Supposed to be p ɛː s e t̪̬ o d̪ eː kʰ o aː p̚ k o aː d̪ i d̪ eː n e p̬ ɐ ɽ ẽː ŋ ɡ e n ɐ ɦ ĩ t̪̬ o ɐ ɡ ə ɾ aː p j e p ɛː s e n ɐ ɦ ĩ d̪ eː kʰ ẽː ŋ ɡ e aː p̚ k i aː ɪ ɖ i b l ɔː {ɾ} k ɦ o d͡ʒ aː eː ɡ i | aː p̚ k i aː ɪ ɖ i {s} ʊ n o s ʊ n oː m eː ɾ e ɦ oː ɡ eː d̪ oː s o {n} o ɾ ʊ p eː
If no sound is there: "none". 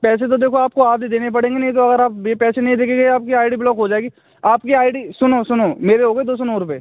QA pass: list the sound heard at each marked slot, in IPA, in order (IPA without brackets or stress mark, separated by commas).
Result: none, s, n